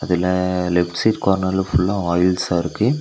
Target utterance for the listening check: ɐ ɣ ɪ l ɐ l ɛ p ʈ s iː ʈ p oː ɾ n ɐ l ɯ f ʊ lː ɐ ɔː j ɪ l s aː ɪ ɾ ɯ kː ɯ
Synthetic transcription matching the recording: ɐ ð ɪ l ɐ l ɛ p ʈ s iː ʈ k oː ɾ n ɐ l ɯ f ʊ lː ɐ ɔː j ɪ l s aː ɪ ɾ ɯ kː ɯ